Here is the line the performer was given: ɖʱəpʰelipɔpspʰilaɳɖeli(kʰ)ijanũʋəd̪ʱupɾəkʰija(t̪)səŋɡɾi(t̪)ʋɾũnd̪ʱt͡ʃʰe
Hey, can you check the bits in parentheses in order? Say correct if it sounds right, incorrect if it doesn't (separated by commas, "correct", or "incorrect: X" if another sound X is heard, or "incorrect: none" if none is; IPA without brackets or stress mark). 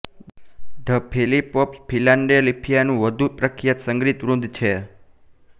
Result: incorrect: pʰ, correct, correct